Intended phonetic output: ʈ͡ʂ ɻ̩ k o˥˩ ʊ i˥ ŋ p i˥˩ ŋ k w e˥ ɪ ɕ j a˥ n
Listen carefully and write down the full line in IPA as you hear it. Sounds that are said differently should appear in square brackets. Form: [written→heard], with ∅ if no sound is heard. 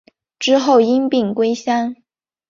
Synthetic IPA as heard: ʈ͡ʂ ɻ̩ [k→x] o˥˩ ʊ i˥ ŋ p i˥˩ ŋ k w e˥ ɪ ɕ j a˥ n